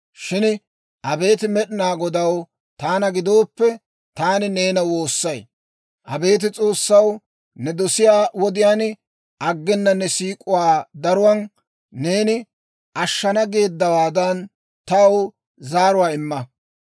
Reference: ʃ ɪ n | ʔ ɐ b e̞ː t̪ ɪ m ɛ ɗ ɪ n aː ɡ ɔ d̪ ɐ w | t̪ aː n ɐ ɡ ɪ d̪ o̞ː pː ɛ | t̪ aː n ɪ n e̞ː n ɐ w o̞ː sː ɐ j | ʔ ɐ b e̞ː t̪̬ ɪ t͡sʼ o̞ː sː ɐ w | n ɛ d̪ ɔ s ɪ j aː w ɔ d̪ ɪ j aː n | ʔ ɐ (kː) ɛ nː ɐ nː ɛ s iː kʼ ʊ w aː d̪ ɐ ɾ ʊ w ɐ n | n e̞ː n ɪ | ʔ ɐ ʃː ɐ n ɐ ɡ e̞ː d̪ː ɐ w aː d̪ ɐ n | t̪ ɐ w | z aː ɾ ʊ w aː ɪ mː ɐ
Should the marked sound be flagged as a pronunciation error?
yes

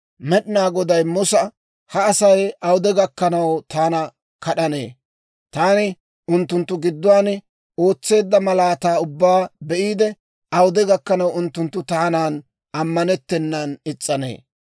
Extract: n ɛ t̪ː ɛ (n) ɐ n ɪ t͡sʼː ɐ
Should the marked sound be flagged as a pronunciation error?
yes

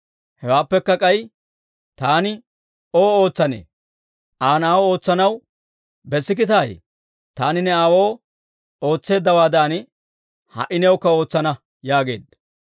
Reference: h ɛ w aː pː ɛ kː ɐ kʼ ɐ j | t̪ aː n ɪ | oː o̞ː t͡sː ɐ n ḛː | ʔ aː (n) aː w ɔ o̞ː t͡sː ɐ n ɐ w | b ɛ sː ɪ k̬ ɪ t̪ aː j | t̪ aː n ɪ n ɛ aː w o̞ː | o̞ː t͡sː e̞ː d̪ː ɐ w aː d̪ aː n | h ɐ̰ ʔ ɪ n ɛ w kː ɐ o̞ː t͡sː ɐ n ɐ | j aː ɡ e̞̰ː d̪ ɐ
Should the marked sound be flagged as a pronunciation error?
no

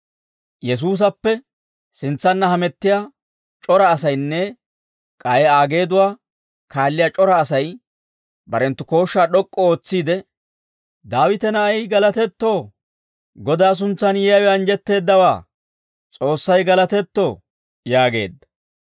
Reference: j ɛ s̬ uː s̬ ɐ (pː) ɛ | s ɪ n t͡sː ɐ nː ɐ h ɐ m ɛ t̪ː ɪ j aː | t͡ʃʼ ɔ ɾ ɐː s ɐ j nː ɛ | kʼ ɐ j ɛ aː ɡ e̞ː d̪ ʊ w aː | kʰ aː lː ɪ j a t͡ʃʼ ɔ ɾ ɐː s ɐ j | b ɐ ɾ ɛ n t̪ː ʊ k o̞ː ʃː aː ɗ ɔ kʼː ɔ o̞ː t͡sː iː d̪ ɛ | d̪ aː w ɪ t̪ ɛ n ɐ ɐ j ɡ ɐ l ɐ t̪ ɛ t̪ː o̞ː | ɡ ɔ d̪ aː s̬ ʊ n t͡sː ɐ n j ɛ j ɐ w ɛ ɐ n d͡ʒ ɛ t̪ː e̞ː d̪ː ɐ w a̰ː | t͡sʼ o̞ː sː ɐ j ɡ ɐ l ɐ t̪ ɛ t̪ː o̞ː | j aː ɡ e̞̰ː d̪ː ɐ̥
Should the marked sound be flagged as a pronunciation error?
no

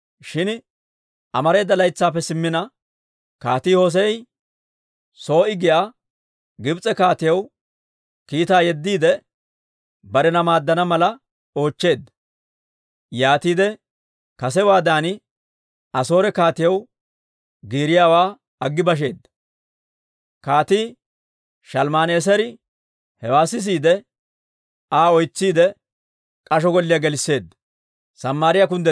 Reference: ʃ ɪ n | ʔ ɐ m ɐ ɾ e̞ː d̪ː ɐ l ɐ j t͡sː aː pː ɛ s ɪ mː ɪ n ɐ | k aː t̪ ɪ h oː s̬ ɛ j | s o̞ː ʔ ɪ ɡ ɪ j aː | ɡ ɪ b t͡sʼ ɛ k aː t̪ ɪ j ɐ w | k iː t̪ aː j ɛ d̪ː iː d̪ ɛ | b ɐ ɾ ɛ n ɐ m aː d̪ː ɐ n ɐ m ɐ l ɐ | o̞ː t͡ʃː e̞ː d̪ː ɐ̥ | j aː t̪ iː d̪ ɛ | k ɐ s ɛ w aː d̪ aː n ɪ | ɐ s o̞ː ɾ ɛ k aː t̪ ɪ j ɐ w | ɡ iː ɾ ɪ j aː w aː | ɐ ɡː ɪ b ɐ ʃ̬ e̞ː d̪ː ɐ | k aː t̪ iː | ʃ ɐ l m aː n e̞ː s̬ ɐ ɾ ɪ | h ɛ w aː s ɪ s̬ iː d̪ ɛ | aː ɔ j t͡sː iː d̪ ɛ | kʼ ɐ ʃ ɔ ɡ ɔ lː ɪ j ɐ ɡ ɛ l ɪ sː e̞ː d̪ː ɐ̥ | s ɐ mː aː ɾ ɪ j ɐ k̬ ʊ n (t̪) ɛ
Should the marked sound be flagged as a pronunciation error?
yes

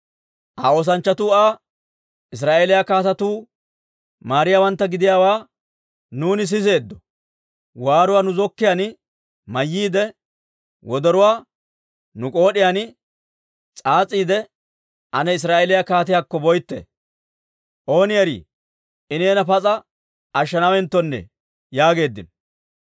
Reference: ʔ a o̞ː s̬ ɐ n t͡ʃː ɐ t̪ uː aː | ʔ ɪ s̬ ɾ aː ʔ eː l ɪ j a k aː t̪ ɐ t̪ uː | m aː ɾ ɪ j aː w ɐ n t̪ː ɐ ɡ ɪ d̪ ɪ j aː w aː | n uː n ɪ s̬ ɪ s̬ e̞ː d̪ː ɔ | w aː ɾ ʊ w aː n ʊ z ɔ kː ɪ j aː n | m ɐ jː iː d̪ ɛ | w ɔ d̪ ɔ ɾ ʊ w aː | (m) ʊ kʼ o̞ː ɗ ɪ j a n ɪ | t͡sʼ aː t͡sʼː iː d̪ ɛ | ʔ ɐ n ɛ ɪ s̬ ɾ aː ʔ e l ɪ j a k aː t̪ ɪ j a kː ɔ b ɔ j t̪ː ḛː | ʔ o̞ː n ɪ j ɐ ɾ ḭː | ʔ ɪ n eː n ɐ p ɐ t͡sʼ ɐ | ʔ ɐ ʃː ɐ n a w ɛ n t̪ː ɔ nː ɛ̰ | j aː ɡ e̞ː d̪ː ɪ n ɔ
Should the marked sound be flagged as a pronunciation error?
yes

